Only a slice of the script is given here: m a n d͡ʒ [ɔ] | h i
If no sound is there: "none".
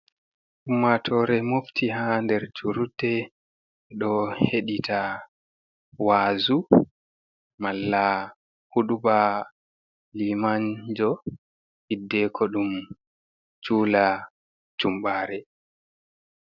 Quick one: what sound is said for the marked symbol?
ɔ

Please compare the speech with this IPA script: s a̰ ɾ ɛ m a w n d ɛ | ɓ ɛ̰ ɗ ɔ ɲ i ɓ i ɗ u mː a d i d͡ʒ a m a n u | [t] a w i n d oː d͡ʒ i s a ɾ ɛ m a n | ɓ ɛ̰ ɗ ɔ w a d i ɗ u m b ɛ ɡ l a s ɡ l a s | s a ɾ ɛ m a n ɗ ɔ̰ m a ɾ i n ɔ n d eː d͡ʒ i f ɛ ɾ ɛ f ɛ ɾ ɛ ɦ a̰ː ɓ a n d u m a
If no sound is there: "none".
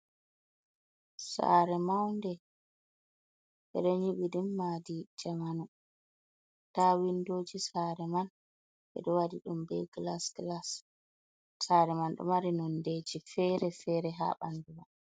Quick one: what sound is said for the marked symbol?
t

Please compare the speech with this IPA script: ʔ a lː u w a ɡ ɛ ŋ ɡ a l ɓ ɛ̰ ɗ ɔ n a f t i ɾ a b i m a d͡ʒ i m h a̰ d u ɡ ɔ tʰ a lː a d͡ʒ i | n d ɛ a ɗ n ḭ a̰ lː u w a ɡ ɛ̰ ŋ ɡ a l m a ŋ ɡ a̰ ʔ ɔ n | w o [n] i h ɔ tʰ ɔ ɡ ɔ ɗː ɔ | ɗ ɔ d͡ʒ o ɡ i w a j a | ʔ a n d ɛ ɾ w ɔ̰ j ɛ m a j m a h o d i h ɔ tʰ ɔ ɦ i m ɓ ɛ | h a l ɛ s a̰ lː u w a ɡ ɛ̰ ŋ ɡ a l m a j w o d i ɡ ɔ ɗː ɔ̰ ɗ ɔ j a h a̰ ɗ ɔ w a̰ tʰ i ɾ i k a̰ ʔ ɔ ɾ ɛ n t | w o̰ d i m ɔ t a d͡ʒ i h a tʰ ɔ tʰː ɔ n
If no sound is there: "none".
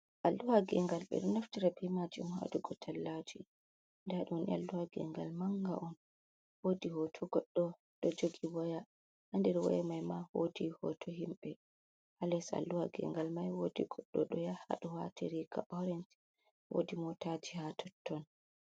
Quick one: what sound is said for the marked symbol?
d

